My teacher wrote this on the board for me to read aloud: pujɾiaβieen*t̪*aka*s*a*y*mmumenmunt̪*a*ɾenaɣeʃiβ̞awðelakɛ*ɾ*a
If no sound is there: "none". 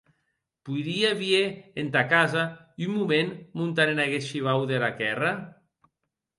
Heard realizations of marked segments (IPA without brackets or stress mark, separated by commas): t̪, z, y, a, r